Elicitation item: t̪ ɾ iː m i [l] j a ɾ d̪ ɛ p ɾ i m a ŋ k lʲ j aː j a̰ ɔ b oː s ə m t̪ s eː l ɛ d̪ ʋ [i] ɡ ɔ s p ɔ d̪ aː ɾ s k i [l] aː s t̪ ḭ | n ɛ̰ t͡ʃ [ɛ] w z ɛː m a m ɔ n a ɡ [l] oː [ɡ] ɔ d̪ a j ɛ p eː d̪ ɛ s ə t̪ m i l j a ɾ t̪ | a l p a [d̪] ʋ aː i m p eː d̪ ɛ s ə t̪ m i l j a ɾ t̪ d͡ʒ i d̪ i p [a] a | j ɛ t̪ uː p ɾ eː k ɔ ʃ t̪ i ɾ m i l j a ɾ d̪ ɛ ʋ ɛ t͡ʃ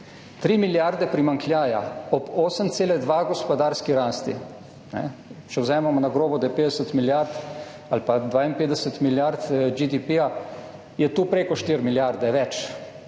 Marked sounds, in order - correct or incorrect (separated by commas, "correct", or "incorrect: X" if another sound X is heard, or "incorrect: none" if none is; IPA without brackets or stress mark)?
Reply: correct, incorrect: a, incorrect: ɾ, correct, incorrect: ɾ, incorrect: b, correct, incorrect: i